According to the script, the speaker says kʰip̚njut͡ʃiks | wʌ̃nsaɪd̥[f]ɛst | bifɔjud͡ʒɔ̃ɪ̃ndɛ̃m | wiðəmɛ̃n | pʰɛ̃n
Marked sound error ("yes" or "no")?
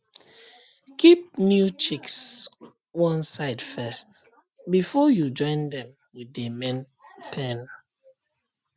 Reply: no